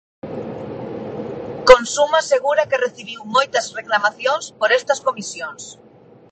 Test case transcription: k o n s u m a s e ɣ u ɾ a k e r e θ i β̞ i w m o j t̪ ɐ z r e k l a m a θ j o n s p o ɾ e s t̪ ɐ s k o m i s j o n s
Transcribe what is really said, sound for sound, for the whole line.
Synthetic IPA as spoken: k o n s u m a s e ɣ u ɾ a k e r e θ i β̞ i w m o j t̪ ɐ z r e k l a m a θ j o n s p o ɾ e s t̪ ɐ s k o m i s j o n s

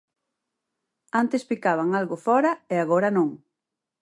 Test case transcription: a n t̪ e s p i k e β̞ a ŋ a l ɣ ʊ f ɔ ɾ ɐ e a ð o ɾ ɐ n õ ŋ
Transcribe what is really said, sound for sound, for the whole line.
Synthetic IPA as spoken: a n t̪ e s p i k a β̞ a ŋ a l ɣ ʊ f ɔ ɾ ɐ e a ɣ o ɾ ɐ n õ ŋ

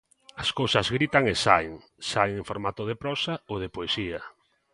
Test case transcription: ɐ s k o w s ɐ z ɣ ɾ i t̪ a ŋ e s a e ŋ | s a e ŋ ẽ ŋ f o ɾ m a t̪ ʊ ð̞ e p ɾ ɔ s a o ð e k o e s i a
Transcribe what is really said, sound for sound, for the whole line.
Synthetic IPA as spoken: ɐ s k o w s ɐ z ɣ ɾ i t̪ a ŋ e s a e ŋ | s a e ŋ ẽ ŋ f o ɾ m a t̪ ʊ ð̞ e p ɾ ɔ s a o ð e p o e s i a

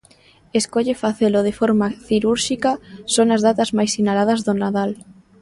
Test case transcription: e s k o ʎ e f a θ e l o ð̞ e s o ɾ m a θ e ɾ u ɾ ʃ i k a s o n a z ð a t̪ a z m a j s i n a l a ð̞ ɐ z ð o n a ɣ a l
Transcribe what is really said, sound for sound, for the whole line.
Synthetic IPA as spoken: e s k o ʎ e f a θ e l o ð̞ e f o ɾ m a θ i ɾ u ɾ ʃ i k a s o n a z ð a t̪ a z m a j s i n a l a ð̞ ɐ z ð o n a ð a l

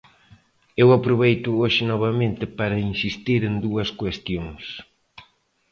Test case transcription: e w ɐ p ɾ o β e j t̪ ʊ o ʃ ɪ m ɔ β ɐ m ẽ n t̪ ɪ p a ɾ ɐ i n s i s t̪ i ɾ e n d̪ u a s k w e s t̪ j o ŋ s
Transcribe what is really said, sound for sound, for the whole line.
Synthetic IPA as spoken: e w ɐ p ɾ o β e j t̪ ʊ o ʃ ɪ n ɔ β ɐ m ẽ n t̪ ɪ p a ɾ ɐ i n s i s t̪ i ɾ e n d̪ u ɐ s k w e s t̪ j o ŋ s

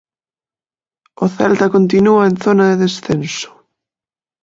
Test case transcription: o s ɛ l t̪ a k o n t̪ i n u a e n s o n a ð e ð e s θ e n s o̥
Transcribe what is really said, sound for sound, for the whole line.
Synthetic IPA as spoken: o θ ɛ l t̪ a k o n t̪ i n u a e n θ o n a ð e ð e s θ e n s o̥

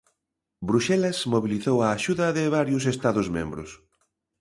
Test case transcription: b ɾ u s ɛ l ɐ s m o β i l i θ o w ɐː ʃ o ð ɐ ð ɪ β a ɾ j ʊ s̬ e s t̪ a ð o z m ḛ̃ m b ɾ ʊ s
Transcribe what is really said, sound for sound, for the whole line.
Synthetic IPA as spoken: b ɾ u ʃ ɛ l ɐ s m o β i l i θ o w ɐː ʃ u ð ɐ ð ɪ β a ɾ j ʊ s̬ e s t̪ a ð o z m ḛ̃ m b ɾ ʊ s

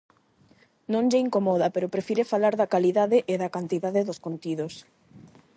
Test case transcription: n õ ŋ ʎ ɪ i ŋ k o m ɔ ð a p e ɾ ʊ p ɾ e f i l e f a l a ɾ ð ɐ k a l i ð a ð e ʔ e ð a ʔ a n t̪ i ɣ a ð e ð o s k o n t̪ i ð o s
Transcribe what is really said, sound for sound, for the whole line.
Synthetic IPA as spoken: n õ ŋ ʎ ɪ i ŋ k o m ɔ ð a p e ɾ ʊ p ɾ e f i ɾ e f a l a ɾ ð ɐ k a l i ð a ð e ʔ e ð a k a n t̪ i ð a ð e ð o s k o n t̪ i ð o s

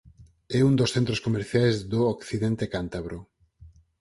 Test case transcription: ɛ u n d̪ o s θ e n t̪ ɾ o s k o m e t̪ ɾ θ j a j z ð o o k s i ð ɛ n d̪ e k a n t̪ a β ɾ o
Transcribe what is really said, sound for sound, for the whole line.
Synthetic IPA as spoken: ɛ u n d̪ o s θ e n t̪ ɾ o s k o m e ɾ θ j a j z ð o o k θ i ð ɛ n t̪ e k a n t̪ a β ɾ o

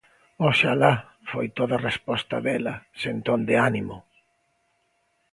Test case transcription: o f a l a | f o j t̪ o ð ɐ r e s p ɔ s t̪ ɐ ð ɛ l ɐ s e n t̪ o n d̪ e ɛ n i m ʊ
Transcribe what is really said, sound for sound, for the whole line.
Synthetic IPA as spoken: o ʃ a l a | f o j t̪ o ð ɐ r e s p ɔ s t̪ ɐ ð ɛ l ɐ s e n t̪ o n d̪ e a n i m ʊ

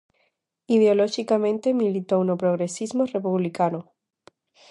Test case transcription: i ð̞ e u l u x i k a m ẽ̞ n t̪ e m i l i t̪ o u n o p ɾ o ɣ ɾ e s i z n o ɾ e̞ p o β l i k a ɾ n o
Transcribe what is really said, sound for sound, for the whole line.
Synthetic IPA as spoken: i ð̞ e o l o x i k a m ẽ̞ n t̪ e m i l i t̪ o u n o p ɾ o ɣ ɾ e s i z m o r e̞ p u β l i k a n o

